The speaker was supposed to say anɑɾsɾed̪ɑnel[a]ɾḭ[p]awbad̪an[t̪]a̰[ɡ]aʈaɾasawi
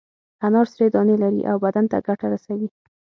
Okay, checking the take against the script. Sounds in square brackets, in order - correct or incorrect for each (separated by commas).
correct, incorrect, correct, correct